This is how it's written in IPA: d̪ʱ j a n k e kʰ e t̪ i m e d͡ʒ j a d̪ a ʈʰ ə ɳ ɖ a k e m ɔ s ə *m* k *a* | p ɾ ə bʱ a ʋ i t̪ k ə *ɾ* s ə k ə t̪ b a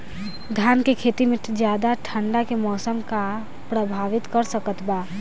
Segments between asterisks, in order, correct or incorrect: correct, correct, correct

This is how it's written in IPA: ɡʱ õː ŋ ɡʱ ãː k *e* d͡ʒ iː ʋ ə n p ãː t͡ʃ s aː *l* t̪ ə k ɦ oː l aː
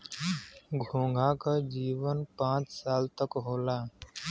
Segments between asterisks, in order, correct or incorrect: incorrect: a, correct

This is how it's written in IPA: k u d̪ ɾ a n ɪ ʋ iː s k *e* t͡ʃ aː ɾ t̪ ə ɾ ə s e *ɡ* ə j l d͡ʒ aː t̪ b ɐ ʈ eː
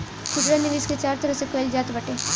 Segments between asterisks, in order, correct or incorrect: correct, incorrect: k

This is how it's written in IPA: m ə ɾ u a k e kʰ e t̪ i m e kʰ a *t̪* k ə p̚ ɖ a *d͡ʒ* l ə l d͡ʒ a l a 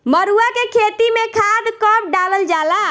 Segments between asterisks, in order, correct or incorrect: incorrect: d̪, incorrect: none

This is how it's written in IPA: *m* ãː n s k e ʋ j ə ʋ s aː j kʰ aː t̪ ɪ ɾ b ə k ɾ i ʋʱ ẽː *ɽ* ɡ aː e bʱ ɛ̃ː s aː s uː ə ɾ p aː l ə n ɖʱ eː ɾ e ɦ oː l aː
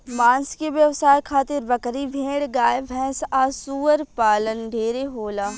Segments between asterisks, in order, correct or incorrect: correct, correct

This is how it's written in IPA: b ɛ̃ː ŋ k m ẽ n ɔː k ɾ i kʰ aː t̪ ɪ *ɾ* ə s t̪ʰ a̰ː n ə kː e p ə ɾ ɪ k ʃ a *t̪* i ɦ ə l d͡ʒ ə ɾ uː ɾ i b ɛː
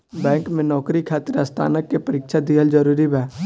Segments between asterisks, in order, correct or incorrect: correct, incorrect: d̪

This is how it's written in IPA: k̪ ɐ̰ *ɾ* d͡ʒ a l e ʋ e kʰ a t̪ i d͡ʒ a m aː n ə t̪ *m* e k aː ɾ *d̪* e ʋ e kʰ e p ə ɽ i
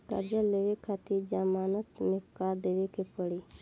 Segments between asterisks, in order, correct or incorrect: correct, correct, correct

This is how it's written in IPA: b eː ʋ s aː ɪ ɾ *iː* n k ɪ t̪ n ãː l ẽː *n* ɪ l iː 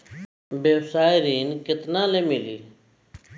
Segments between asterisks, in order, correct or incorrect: correct, incorrect: m

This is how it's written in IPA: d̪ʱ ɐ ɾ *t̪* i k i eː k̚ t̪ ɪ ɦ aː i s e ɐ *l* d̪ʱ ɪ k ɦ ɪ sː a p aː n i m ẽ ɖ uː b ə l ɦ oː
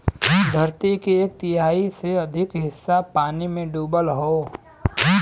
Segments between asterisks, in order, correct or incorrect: correct, incorrect: none

